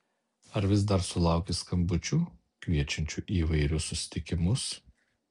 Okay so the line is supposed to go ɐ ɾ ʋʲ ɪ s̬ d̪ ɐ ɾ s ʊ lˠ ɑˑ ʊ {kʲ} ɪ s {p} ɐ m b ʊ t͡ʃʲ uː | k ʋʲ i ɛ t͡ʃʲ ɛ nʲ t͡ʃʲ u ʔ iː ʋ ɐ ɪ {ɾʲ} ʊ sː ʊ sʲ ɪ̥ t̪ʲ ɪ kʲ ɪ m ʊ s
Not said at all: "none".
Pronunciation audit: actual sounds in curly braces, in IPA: kʲ, k, ɾʲ

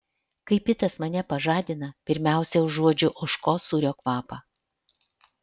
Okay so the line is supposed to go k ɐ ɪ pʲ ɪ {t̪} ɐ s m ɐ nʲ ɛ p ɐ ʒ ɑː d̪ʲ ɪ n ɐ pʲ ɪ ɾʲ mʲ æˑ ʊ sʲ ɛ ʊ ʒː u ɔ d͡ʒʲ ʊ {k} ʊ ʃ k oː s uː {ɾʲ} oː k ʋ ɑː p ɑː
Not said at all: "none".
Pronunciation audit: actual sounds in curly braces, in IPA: t̪, ʔ, ɾʲ

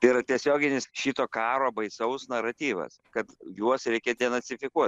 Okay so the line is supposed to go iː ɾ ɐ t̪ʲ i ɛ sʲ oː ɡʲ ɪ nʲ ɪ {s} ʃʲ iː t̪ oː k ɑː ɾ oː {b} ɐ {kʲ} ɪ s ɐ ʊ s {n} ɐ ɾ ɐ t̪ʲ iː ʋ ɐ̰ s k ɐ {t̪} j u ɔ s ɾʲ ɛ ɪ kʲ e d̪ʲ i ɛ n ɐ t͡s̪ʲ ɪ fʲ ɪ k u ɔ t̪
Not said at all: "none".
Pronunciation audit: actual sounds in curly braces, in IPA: s, b, none, n, t̪

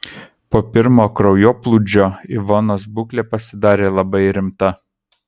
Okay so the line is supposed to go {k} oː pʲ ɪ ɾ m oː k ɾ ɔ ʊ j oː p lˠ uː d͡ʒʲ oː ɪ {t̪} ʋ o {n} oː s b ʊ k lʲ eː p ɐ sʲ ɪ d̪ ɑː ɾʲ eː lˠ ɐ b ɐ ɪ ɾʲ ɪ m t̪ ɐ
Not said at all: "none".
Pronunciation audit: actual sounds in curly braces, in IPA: p, none, n

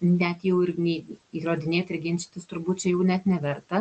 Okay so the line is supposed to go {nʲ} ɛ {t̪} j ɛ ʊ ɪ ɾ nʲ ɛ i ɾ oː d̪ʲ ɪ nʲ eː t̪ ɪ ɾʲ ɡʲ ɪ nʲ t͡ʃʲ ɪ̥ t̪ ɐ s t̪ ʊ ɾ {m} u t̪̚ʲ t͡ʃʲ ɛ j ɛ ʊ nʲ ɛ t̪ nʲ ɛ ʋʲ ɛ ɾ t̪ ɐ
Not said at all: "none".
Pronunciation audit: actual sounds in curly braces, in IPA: nʲ, t̪, b

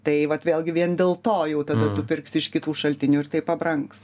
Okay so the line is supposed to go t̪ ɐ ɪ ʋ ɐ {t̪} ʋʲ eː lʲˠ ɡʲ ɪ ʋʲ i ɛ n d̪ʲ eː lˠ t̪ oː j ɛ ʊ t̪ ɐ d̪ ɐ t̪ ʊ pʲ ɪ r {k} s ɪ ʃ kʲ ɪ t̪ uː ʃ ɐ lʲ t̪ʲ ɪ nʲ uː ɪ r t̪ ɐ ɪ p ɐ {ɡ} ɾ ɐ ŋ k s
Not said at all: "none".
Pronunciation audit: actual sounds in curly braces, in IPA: t̪, k, b

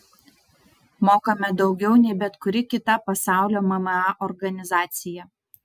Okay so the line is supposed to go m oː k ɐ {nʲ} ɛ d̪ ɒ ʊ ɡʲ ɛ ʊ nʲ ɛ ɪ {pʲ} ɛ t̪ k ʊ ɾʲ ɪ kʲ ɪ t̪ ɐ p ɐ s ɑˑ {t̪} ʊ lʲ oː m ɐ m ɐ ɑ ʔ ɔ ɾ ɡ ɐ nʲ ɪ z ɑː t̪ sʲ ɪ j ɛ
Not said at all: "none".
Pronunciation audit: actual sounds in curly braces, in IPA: mʲ, bʲ, none

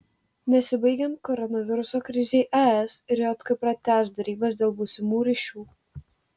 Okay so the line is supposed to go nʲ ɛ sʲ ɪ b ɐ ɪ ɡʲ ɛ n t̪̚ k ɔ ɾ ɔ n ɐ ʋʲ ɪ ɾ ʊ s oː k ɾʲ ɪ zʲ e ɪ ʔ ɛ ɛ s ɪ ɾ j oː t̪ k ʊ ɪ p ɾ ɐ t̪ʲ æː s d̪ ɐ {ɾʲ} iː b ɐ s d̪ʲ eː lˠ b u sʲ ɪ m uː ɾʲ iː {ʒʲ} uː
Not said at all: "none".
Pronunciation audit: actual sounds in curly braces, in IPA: ɾʲ, ʃʲ

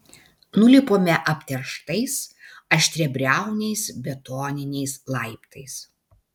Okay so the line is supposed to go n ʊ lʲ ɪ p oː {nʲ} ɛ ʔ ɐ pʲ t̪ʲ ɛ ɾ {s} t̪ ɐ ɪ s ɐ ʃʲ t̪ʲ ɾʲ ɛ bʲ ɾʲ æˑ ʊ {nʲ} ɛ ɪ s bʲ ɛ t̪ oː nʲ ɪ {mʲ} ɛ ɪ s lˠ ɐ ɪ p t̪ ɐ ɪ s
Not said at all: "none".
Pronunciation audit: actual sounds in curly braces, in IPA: mʲ, ʃ, nʲ, nʲ

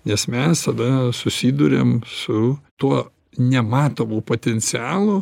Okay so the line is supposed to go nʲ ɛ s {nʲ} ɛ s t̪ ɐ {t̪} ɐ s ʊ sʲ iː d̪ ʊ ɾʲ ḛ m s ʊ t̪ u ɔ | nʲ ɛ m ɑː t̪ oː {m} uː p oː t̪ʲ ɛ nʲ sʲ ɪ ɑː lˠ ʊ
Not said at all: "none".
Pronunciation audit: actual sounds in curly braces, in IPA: mʲ, d̪, m

